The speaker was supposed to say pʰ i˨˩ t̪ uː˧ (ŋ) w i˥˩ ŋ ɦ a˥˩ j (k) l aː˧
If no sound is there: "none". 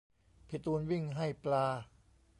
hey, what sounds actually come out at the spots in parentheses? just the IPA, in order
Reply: n, p

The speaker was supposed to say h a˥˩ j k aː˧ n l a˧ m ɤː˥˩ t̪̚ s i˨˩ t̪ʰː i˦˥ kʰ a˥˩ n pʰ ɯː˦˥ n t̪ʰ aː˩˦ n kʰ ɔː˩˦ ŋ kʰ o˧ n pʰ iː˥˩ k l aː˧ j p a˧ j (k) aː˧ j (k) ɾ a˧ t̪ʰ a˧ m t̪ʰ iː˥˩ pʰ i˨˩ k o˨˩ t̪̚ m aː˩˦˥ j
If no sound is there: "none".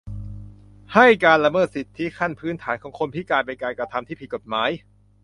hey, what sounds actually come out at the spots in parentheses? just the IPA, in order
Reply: k, k

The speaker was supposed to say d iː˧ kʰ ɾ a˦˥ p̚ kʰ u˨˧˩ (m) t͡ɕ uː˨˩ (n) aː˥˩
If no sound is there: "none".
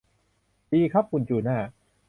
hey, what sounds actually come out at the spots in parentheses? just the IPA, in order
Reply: n, n

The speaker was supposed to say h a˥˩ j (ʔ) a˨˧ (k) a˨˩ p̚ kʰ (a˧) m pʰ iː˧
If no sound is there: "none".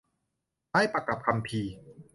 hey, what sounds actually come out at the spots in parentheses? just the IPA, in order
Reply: p, k, a˧

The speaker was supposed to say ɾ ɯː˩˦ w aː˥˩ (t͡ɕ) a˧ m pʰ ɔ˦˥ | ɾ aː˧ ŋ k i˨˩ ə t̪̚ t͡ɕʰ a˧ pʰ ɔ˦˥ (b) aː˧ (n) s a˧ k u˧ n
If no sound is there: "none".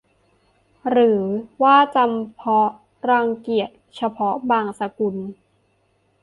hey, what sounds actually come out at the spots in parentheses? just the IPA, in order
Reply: t͡ɕ, b, ŋ

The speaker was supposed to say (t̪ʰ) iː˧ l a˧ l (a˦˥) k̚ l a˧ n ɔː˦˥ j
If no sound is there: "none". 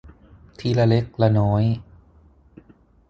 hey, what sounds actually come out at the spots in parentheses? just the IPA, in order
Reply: t̪ʰ, e˦˥

